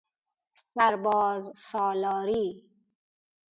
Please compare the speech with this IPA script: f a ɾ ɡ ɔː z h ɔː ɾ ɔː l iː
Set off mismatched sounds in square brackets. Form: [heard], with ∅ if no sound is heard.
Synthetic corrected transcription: [s] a ɾ [b] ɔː z [s] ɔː [l] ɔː [ɾ] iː

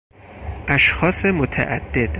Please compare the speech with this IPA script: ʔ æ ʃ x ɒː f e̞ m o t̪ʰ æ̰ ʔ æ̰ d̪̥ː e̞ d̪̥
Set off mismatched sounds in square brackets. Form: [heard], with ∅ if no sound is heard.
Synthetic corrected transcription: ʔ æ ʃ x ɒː [s] e̞ m o t̪ʰ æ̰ ʔ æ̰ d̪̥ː e̞ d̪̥

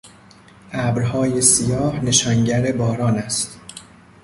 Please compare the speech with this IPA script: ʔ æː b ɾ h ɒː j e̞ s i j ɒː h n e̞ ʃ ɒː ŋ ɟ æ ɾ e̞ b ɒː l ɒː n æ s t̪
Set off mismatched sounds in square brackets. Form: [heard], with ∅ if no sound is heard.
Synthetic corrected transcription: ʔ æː b ɾ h ɒː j e̞ s i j ɒː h n e̞ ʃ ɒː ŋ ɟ æ ɾ e̞ b ɒː [ɾ] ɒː n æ s t̪

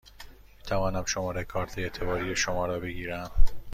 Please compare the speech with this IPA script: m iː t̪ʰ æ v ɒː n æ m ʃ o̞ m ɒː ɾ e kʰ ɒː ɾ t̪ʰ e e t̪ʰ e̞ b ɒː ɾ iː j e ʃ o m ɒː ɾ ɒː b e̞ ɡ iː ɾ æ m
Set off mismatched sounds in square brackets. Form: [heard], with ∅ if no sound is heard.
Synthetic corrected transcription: m iː t̪ʰ æ v ɒː n æ m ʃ o̞ m ɒː ɾ e kʰ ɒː ɾ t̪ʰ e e t̪ʰ e̞ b ɒː ɾ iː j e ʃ o m ɒː ɾ ɒː b e̞ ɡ iː ɾ æ m

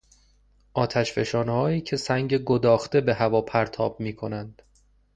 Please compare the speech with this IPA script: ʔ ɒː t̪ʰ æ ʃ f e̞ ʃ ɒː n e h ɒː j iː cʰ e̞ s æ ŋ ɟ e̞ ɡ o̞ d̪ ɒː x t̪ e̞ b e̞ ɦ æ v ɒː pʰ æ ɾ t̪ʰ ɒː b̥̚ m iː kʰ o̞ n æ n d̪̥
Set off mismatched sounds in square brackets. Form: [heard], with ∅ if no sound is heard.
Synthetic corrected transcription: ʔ ɒː t̪ʰ æ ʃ f e̞ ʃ ɒː n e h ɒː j iː cʰ e̞ s æ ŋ ɟ e̞ ɡ o̞ d̪ ɒː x t̪ e̞ b e̞ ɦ æ v ɒː pʰ æ ɾ t̪ʰ ɒː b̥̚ m iː kʰ o̞ n æ n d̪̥

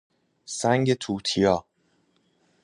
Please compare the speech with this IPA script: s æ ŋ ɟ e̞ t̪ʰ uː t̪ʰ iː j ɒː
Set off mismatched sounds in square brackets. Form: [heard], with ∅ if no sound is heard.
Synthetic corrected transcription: s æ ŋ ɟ e̞ t̪ʰ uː t̪ʰ [i] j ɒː

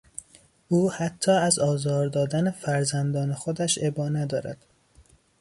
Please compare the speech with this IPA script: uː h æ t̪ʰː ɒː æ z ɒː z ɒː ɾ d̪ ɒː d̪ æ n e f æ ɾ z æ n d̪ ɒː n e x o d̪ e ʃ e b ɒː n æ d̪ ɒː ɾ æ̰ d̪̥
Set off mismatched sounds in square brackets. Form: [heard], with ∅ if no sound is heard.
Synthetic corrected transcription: uː h æ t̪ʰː ɒː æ z ɒː z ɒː ɾ d̪ ɒː d̪ æ n e f æ ɾ z æ n d̪ ɒː n e x o d̪ [æ] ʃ e b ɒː n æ d̪ ɒː ɾ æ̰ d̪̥

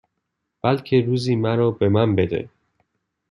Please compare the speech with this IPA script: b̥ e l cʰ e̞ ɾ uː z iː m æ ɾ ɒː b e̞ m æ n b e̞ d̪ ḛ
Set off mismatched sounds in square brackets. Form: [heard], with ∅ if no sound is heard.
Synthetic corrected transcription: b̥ [æ] l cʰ e̞ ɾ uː z iː m æ ɾ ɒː b e̞ m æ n b e̞ d̪ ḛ

